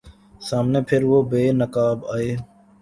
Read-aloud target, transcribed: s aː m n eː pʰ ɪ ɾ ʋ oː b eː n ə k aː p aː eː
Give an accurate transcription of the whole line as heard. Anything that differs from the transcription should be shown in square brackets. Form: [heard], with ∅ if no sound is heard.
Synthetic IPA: s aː m n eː pʰ ɪ ɾ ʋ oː b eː n ə k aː [b] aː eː